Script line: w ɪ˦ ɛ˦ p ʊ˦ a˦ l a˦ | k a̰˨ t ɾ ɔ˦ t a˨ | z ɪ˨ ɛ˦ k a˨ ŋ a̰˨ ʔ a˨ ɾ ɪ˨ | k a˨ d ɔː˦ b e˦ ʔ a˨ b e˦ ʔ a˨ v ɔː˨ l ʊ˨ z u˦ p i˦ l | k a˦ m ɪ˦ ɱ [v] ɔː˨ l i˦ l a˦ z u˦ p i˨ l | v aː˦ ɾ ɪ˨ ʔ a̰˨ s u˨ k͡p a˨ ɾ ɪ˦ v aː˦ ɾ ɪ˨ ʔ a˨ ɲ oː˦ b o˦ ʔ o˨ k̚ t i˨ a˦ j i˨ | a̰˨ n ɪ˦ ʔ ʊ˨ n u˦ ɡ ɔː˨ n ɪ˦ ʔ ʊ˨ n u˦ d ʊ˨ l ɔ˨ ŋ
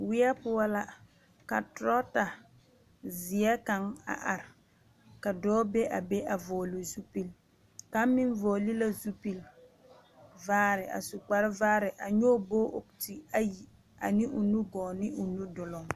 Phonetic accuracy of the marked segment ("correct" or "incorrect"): correct